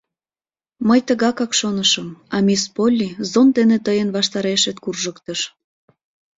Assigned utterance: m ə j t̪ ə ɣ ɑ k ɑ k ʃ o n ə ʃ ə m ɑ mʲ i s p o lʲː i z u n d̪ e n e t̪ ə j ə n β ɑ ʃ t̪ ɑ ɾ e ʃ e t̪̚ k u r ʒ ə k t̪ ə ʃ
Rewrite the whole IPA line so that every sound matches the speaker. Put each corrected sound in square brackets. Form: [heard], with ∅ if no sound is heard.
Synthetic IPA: m ə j t̪ ə ɣ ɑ k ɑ k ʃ o n ə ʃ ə m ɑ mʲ i s p o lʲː i z [o] n d̪ e n e t̪ ə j ə n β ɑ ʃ t̪ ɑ ɾ e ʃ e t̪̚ k u r ʒ ə k t̪ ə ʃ